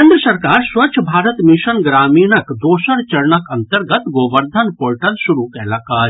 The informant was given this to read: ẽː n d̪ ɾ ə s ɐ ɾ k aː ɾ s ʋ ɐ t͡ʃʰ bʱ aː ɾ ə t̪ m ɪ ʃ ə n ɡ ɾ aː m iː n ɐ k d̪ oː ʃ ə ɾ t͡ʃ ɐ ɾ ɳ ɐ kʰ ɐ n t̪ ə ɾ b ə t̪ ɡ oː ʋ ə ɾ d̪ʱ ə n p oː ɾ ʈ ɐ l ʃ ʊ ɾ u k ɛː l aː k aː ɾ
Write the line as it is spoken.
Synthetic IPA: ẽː n d̪ ɾ ə s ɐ ɾ k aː ɾ s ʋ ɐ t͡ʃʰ bʱ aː ɾ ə t̪ m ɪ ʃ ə n ɡ ɾ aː m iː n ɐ k d̪ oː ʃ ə ɾ t͡ʃ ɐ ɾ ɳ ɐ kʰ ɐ n t̪ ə ɾ ɡ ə t̪ ɡ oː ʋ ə ɾ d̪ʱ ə n p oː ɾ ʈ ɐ l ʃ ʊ ɾ u k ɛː l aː k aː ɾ